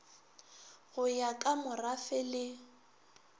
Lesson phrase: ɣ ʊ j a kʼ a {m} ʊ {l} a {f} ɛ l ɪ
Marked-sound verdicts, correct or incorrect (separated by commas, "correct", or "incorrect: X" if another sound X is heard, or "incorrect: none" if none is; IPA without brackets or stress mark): correct, incorrect: r, correct